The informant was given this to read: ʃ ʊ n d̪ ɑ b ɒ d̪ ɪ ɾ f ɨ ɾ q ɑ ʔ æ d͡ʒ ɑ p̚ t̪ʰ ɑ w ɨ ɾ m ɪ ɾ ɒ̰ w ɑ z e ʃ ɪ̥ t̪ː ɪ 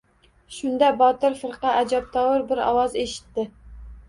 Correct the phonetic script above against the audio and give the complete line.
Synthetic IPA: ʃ ʊ n d̪ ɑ b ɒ t̪ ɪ ɾ f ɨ ɾ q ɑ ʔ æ d͡ʒ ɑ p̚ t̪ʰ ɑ w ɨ ɾ b ɪ ɾ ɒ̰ w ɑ z e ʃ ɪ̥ t̪ː ɪ